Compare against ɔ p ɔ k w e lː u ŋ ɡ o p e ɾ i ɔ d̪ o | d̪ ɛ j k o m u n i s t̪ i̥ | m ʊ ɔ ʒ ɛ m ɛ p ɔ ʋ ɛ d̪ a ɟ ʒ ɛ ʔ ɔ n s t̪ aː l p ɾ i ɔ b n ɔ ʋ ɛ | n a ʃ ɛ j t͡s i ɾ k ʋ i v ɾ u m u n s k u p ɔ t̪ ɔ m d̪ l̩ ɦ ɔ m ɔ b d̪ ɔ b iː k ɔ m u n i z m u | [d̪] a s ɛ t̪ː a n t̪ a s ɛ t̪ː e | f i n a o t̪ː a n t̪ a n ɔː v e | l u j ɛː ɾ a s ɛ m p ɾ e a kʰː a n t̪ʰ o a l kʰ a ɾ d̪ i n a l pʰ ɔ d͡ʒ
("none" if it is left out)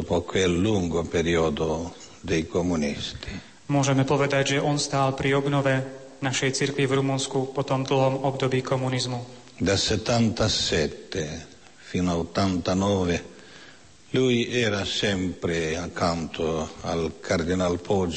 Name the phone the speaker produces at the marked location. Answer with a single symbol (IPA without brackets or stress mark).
d̪